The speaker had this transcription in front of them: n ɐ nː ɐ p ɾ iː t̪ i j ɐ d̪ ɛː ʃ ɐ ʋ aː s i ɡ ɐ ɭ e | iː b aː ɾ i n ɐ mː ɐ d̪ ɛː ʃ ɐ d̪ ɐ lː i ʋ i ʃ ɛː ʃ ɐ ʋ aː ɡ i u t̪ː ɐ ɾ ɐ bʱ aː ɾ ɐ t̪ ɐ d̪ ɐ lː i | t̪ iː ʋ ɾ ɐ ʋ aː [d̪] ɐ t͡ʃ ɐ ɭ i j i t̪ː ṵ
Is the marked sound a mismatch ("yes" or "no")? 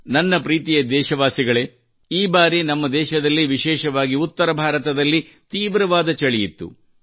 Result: no